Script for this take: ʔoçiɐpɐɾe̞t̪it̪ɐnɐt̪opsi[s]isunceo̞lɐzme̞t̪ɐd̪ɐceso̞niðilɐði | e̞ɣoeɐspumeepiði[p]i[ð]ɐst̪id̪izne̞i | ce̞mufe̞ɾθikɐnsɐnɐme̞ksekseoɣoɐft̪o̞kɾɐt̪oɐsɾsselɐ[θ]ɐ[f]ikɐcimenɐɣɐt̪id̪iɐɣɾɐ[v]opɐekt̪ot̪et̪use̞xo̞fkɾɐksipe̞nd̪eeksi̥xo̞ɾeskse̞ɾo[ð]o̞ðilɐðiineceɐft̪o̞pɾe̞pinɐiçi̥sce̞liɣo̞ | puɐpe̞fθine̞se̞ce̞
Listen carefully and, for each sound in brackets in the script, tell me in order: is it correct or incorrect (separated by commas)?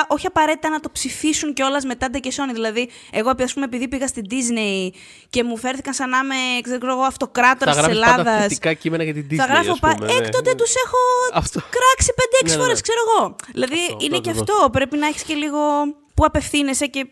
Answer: incorrect, correct, incorrect, incorrect, incorrect, incorrect, incorrect